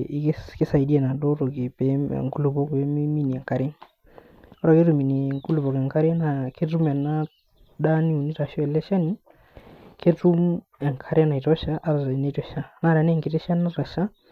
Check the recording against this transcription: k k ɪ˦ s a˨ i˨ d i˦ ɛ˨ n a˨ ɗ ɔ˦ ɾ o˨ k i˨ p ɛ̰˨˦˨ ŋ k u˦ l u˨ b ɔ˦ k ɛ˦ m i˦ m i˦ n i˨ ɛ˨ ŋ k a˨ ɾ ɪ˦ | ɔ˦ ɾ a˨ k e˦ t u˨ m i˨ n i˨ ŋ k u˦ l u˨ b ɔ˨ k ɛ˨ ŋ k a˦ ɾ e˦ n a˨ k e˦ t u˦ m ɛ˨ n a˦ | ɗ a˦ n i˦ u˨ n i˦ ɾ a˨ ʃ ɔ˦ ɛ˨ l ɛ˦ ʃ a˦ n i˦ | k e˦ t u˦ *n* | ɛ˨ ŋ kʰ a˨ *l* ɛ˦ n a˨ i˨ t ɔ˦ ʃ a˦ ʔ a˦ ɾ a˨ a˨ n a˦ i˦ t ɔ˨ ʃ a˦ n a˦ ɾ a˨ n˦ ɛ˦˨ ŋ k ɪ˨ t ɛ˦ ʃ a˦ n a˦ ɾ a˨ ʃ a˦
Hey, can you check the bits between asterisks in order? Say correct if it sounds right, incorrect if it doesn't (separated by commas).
incorrect, incorrect